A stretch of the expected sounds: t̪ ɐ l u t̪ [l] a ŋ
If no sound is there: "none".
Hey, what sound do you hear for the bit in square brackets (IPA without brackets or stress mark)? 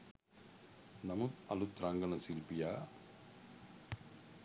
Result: ɾ